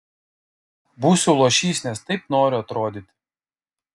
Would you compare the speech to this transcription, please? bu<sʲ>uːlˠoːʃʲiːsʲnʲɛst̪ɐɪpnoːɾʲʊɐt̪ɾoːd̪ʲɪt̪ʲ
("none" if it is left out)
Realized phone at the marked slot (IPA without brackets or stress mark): sʲ